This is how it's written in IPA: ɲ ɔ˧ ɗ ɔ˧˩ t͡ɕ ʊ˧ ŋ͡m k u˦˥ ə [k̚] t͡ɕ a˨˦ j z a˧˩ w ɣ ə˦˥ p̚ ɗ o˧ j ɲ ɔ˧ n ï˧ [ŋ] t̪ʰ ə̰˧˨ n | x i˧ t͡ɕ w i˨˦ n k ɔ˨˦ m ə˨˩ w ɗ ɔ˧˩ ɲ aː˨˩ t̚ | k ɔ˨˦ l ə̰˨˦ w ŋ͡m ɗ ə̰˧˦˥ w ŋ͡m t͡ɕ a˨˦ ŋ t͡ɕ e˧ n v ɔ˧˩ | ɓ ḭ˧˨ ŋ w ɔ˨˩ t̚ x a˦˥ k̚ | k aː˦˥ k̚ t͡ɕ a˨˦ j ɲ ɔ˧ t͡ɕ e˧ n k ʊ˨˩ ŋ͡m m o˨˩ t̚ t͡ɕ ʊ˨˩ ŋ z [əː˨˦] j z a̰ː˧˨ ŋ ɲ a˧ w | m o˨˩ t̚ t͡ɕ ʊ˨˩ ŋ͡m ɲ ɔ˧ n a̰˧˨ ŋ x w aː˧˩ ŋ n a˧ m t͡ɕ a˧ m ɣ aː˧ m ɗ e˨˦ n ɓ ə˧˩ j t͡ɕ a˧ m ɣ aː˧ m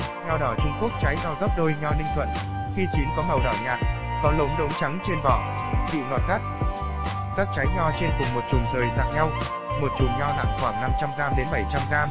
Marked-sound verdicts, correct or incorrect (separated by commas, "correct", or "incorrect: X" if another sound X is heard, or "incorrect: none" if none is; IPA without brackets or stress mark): correct, correct, incorrect: əː˨˩